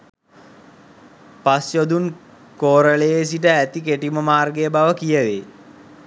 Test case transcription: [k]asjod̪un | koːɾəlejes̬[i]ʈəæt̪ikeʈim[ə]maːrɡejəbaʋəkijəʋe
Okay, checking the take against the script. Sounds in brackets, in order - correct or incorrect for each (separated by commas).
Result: incorrect, correct, correct